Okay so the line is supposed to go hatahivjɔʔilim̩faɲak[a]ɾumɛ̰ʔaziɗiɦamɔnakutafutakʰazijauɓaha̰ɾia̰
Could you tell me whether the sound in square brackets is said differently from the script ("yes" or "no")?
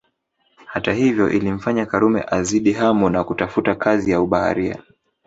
no